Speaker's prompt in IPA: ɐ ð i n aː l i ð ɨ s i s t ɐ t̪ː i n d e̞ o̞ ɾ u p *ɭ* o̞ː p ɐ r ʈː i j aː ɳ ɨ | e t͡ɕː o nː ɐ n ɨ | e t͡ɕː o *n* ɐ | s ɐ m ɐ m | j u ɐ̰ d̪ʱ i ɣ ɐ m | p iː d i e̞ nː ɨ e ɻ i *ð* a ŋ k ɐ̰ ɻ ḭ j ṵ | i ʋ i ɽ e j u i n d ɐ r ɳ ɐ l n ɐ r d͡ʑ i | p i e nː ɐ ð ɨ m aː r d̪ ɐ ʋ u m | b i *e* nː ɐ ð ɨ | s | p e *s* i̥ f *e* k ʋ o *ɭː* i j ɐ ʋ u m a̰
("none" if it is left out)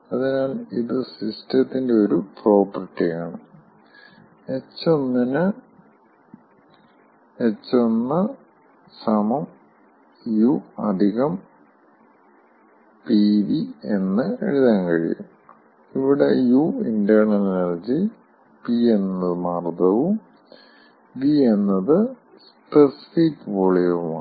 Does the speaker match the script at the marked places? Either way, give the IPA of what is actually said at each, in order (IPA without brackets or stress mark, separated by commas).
r, nː, ð, e, s, i, ɭ